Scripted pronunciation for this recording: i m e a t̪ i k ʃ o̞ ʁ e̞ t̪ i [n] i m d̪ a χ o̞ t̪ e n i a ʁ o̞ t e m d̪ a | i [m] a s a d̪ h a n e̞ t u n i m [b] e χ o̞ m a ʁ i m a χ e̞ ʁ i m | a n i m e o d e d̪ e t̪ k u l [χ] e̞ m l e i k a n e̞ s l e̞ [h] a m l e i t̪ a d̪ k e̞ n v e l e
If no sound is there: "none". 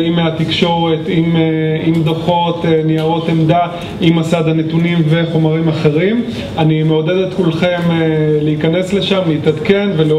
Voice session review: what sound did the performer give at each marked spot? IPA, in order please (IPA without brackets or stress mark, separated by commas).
m, m, v, χ, ʃ